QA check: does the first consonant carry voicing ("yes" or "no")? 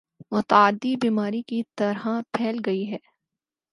yes